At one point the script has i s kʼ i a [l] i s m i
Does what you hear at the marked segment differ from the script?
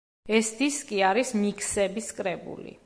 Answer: yes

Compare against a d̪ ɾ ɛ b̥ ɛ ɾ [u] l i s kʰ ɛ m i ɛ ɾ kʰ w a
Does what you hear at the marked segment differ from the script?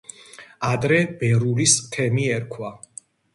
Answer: no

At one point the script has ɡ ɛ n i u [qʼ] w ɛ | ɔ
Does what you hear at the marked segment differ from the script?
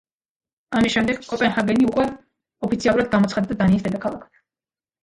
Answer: yes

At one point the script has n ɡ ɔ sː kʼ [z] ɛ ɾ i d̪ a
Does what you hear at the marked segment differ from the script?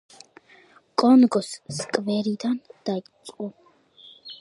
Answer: yes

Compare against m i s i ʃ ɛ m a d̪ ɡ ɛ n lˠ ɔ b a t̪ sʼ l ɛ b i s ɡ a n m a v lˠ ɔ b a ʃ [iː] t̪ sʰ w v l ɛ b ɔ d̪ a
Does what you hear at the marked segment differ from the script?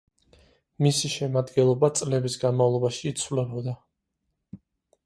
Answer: no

